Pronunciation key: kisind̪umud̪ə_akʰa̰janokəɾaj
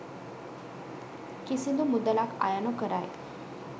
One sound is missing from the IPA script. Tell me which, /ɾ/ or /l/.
l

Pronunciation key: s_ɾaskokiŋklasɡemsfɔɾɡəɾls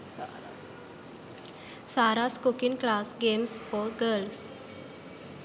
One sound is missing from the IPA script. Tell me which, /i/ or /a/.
a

